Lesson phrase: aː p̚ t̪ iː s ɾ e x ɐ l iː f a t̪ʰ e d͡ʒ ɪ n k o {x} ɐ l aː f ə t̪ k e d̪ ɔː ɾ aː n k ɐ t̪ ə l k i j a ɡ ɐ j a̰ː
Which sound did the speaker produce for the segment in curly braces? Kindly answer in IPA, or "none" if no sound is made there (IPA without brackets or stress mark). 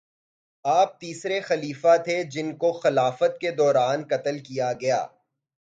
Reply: x